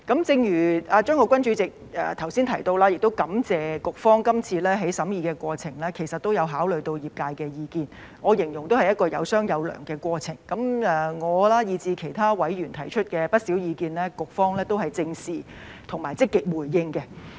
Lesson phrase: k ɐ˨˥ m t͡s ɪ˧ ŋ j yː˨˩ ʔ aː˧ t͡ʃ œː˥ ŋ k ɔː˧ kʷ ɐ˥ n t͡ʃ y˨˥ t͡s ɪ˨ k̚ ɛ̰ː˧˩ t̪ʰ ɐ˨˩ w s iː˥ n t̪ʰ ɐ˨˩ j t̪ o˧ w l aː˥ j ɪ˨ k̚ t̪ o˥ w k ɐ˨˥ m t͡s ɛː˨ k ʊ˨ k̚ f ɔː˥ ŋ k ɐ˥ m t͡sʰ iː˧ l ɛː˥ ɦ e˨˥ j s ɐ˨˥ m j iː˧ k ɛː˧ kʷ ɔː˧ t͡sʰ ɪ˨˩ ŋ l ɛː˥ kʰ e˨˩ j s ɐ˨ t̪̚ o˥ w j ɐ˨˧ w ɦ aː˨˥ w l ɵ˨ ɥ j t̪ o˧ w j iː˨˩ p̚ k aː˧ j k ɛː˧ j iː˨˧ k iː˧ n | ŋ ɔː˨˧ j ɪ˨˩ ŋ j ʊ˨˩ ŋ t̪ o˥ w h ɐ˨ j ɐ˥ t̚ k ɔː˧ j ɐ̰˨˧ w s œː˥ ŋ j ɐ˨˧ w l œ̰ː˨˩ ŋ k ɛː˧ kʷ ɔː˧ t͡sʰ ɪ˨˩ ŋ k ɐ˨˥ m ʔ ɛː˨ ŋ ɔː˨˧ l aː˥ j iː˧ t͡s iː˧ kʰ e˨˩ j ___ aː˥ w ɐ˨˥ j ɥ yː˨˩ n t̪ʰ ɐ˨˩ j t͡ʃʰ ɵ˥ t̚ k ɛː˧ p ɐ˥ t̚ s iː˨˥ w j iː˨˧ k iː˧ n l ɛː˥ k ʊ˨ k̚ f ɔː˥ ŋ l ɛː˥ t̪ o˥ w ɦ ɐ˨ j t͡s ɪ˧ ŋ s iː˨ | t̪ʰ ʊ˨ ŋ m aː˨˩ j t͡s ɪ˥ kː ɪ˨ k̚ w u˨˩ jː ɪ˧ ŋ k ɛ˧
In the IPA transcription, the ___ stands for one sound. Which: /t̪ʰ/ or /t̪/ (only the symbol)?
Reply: t̪ʰ